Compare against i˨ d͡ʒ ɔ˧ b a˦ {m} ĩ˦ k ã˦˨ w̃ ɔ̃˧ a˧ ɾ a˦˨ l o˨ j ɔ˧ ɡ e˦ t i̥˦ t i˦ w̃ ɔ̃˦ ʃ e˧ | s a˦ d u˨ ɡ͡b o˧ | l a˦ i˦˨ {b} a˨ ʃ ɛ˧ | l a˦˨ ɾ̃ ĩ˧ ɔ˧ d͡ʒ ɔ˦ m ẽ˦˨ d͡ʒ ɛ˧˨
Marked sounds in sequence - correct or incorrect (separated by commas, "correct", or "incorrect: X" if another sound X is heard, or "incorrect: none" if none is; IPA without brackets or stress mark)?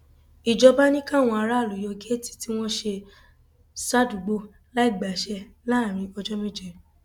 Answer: incorrect: n, incorrect: ɡ͡b